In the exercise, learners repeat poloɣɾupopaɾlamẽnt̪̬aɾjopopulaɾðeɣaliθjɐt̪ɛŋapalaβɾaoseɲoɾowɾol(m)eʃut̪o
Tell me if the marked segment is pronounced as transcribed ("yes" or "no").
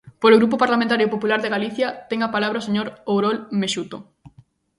yes